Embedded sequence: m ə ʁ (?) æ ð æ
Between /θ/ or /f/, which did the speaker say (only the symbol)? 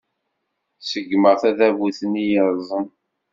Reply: θ